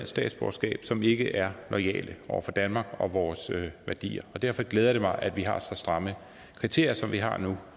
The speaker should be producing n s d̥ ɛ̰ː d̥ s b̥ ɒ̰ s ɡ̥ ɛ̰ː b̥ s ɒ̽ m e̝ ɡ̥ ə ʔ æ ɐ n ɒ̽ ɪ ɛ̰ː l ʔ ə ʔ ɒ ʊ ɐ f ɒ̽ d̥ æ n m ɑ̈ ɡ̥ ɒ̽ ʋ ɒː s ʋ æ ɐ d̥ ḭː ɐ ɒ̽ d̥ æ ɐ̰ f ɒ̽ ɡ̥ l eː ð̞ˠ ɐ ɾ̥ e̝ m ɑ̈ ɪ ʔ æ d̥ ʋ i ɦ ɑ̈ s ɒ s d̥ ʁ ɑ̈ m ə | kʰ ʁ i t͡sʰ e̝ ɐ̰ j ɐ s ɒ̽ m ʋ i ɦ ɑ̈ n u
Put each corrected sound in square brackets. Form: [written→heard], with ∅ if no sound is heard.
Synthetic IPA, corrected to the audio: n s d̥ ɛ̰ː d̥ s b̥ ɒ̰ s ɡ̥ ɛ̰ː b̥ s ɒ̽ m e̝ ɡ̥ ə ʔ æ ɐ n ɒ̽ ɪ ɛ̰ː l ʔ ə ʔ ɒ ʊ ɐ f ɒ̽ d̥ æ n m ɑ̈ ɡ̥ ɒ̽ ʋ ɒː s ʋ æ ɐ d̥ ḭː ɐ ɒ̽ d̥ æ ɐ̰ f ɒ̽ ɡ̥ l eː ð̞ˠ ɐ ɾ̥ e̝ m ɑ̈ ɪ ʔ æ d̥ ʋ i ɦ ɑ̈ s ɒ s d̥ ʁ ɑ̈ m ə | kʰ ʁ i t͡sʰ e̝ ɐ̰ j ɐ s ɒ̽ m ʋ i ɦ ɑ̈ n u